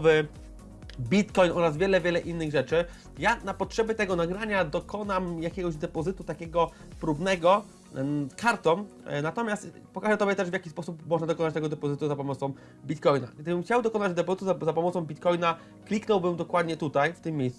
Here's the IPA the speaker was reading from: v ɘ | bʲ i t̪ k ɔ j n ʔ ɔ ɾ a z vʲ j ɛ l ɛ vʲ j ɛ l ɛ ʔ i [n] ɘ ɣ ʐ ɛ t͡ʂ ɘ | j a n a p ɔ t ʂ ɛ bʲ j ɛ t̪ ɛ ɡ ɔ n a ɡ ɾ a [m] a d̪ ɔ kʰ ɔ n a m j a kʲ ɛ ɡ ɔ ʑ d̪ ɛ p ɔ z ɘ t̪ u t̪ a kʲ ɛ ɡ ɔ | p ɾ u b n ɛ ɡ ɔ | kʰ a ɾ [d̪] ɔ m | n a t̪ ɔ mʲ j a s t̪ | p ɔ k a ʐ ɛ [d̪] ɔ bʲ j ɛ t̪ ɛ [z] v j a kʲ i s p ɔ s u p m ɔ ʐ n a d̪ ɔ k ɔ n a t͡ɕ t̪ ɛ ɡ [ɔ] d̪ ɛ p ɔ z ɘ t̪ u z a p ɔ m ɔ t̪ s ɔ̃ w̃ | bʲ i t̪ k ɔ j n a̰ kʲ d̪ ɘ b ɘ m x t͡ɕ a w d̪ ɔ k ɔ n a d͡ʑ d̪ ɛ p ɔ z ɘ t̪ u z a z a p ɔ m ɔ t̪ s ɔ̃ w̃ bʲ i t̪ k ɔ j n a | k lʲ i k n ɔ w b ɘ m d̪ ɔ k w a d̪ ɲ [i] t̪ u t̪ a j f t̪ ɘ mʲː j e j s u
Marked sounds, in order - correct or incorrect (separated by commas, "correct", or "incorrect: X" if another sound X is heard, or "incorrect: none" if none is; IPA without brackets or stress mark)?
incorrect: nː, incorrect: ɲ, incorrect: t̪, incorrect: t̪, incorrect: ʐ, correct, incorrect: ɛ